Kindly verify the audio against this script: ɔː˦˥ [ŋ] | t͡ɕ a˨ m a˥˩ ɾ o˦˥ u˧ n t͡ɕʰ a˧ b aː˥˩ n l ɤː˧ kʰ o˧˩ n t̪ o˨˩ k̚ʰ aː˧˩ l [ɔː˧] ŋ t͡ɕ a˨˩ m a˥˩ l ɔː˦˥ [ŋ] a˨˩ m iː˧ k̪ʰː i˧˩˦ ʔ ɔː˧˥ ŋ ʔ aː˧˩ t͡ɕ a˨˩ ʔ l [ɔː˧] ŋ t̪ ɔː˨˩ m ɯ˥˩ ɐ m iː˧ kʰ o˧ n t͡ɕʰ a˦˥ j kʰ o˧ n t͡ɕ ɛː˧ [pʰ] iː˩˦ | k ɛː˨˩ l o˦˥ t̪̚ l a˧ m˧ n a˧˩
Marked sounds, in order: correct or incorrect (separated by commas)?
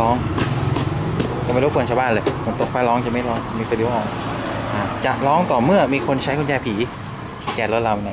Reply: correct, incorrect, correct, incorrect, correct